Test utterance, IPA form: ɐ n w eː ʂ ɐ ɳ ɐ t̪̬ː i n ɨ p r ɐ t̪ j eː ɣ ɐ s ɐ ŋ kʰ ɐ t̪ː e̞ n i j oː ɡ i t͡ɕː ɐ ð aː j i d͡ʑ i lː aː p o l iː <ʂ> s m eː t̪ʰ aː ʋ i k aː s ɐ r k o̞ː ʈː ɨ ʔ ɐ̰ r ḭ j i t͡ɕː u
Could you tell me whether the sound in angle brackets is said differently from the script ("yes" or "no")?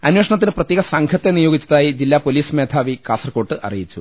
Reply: yes